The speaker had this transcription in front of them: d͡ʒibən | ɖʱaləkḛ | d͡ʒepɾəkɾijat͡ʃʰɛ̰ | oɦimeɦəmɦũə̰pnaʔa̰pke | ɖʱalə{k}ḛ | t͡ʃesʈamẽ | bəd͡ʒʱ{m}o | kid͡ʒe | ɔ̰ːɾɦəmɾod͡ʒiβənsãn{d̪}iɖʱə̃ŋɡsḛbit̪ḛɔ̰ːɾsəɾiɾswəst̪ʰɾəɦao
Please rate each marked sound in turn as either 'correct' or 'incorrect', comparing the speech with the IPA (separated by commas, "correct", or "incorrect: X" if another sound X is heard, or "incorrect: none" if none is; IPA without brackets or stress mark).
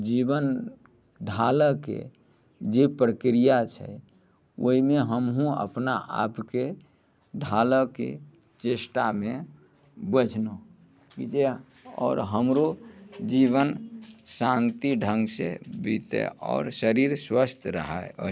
correct, incorrect: n, incorrect: t̪